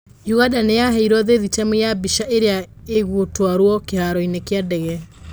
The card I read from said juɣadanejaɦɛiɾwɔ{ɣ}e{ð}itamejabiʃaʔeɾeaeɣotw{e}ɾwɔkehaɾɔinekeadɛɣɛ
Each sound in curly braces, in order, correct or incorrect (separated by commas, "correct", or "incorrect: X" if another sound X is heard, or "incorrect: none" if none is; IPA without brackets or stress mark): incorrect: ð, correct, incorrect: a